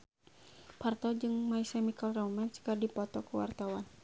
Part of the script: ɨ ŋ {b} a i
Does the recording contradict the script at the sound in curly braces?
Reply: yes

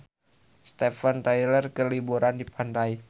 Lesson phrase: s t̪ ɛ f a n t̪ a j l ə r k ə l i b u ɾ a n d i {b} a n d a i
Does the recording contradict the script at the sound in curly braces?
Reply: yes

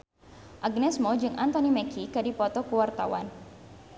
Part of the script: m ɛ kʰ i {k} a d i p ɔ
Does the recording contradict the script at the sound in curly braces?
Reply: no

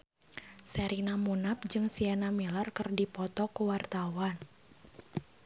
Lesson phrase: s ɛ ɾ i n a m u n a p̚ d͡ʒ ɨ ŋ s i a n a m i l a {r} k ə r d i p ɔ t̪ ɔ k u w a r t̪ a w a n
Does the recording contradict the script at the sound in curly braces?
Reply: no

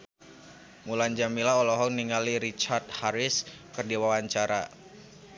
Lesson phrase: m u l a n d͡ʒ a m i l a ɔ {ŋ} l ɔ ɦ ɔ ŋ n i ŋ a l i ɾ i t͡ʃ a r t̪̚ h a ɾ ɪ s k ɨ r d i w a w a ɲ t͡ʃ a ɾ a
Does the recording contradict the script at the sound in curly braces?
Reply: yes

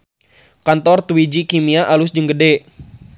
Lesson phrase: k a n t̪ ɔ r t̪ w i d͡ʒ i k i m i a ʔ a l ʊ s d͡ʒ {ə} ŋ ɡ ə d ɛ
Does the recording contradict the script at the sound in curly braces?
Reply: no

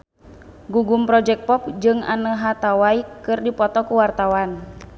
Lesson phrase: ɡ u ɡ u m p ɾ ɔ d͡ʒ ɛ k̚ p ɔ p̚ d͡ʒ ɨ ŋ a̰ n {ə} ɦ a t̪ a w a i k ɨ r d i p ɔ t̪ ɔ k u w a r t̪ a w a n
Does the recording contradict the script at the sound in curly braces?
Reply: no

